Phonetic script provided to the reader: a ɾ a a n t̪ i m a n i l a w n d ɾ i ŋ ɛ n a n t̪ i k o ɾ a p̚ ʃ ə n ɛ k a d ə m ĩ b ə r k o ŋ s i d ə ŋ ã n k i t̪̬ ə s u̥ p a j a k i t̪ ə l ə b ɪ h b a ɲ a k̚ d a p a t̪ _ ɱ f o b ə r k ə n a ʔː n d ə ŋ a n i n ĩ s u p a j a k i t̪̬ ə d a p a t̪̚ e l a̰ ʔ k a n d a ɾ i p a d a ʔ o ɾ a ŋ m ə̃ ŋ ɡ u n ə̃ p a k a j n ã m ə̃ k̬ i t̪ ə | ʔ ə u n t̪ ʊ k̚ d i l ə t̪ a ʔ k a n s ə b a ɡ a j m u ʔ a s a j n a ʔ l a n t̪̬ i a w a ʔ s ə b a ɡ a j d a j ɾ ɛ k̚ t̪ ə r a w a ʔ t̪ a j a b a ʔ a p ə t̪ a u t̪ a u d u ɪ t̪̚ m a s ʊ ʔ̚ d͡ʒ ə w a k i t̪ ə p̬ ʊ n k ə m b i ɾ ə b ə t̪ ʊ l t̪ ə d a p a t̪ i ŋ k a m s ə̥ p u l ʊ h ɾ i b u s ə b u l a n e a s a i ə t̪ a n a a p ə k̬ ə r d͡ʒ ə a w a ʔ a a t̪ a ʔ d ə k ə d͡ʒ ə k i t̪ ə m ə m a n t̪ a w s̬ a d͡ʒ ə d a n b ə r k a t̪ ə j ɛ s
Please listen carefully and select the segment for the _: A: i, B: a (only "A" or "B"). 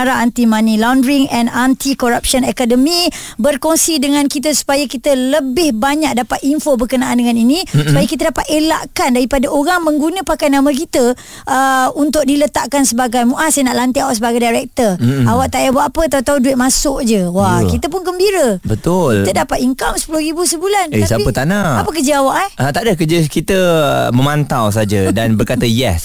A